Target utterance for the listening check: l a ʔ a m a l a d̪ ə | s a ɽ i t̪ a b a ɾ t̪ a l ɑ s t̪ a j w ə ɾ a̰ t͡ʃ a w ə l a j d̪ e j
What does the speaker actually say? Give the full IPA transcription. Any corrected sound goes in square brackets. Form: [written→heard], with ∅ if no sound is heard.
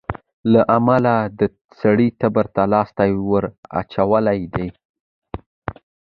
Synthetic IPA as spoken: l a ʔ a m a l a d̪ ə | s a ɽ i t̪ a b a ɾ t̪ a l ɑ s t̪ a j w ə ɾ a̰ t͡ʃ a w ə l a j d̪ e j